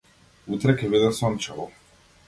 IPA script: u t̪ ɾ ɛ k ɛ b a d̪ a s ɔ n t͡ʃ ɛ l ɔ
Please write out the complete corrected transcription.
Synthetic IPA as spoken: u t̪ ɾ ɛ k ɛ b i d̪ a s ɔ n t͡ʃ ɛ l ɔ